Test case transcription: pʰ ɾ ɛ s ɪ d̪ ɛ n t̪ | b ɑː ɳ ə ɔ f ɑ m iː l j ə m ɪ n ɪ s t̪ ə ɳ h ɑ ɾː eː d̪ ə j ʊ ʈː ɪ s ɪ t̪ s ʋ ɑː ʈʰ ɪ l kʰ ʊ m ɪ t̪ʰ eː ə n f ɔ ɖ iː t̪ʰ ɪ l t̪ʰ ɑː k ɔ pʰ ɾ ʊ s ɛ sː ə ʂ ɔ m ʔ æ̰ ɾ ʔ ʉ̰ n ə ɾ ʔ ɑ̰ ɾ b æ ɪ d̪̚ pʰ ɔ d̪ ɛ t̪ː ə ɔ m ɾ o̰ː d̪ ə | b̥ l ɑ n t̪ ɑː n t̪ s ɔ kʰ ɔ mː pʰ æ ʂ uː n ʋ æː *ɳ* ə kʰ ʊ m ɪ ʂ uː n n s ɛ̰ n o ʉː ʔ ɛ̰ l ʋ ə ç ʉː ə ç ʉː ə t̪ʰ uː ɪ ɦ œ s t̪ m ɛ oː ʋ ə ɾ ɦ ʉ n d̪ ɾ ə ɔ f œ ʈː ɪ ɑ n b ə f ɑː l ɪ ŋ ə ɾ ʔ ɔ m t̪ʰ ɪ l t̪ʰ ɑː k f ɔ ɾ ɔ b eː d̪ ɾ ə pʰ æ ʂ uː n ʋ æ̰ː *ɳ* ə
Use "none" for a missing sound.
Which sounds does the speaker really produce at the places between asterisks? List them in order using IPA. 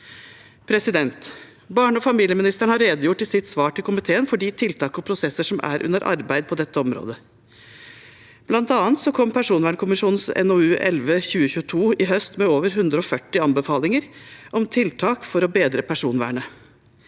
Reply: ɳ, ɳ

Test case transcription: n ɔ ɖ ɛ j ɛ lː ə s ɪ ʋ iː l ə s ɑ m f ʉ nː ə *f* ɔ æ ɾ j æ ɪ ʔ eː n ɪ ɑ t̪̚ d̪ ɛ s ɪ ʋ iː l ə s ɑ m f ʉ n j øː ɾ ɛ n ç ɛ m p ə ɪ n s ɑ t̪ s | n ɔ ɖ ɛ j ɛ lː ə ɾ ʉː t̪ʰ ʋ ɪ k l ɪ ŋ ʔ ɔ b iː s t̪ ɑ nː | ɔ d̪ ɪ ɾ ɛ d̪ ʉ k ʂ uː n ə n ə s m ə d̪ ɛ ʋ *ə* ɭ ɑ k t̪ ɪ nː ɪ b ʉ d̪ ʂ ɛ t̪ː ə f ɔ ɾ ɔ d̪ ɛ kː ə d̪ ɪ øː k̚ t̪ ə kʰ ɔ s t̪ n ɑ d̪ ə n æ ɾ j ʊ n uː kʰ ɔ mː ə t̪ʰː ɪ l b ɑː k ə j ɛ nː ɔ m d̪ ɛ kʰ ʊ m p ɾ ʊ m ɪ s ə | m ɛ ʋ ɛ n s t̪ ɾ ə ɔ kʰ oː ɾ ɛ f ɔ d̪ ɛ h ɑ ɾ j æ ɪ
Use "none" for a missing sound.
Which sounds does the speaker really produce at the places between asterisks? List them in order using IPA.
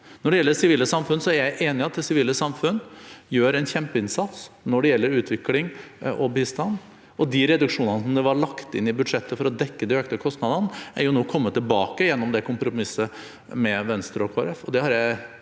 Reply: s, ɑ

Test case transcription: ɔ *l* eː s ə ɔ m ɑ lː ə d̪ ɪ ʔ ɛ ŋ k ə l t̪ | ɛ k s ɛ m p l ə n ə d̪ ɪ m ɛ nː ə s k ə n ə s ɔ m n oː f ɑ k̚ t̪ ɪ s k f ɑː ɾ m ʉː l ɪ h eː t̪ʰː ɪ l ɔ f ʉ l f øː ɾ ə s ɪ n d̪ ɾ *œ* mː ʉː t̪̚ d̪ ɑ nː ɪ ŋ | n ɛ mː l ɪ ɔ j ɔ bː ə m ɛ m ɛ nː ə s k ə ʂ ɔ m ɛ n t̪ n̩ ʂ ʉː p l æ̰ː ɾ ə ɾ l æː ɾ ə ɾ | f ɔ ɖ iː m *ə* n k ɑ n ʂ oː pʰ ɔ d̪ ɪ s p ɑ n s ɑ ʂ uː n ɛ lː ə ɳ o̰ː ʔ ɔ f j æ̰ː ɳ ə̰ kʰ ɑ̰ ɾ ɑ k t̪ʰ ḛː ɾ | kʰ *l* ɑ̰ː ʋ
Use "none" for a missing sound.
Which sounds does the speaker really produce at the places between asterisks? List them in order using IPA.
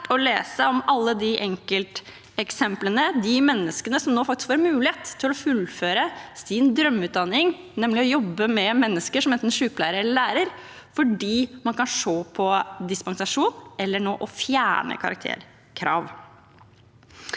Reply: l, œ, ɑ, ɾ

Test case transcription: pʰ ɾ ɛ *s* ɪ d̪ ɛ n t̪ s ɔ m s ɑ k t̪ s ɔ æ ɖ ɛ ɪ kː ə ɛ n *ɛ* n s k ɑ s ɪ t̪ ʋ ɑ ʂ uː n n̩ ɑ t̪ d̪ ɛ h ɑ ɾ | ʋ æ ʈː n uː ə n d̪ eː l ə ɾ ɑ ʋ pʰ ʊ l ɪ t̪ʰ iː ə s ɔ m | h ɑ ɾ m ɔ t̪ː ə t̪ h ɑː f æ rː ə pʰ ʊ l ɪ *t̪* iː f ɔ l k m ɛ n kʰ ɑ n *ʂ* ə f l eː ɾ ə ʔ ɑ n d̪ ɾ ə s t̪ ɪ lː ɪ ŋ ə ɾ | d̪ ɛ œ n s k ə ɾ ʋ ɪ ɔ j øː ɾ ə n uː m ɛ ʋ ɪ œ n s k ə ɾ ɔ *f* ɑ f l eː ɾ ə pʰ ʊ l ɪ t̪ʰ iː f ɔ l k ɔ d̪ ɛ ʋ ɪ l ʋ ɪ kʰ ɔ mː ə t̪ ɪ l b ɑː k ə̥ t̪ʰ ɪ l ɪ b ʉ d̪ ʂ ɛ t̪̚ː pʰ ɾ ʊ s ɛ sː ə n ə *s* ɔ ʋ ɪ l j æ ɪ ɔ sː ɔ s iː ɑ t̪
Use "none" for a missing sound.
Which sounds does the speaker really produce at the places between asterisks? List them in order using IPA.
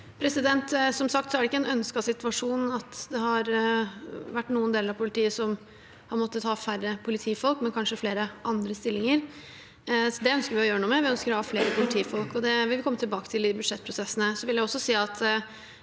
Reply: s, œ, t̪ʰ, ʂ, h, s

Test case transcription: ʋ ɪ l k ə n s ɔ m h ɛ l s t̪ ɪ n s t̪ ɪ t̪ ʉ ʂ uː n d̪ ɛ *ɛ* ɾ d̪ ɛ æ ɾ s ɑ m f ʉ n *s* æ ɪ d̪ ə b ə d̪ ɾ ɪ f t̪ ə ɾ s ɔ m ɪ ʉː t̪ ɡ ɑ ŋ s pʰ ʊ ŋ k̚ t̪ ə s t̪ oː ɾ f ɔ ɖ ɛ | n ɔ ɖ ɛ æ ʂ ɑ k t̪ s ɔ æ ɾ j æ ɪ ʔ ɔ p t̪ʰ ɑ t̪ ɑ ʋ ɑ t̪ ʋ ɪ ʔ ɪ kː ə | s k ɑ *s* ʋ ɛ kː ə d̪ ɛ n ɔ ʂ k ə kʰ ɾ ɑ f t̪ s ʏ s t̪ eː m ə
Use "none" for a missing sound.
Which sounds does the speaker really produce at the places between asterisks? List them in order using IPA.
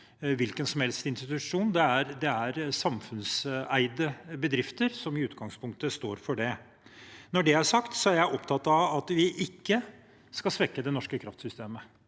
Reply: æ, s, s

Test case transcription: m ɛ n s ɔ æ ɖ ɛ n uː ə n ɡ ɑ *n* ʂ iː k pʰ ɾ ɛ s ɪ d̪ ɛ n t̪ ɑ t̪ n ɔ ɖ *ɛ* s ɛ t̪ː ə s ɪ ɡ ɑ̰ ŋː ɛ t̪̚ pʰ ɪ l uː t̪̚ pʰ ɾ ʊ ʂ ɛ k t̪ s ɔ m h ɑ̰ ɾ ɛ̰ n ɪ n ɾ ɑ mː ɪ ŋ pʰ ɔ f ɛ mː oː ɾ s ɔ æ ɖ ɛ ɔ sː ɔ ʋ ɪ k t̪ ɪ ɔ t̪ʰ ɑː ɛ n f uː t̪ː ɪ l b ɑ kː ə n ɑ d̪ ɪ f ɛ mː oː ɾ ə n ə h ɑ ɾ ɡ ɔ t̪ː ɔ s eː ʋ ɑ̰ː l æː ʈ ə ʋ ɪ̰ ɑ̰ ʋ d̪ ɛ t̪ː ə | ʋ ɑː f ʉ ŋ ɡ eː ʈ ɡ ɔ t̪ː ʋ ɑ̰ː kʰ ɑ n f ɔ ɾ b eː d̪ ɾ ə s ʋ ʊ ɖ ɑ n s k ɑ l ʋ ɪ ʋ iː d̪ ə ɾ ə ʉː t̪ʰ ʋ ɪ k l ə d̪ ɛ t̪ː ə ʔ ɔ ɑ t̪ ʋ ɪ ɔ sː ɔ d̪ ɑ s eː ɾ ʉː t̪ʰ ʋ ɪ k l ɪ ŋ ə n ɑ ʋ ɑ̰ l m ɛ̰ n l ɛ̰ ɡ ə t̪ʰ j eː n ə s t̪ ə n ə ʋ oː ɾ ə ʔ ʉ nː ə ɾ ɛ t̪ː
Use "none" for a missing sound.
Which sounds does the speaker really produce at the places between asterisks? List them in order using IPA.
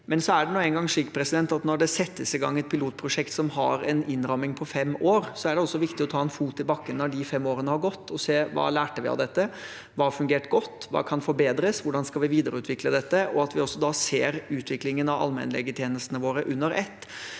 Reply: ŋ, ɛ

